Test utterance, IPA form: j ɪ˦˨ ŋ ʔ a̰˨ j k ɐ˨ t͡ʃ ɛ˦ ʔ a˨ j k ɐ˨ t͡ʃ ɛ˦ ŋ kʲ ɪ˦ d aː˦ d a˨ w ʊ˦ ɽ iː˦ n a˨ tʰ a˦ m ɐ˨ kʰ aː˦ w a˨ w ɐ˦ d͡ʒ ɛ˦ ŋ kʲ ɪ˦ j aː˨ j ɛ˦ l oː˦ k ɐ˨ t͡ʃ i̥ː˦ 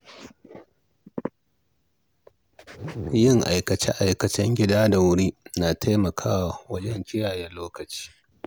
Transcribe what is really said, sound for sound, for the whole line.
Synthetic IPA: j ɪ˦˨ ŋ ʔ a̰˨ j k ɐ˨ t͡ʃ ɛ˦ ʔ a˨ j k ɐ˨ t͡ʃ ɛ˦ ŋ ɡʲ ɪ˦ d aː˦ d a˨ w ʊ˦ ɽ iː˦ n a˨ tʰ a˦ m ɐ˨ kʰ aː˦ w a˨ w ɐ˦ d͡ʒ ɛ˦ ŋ kʲ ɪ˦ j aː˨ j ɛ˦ l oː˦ k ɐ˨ t͡ʃ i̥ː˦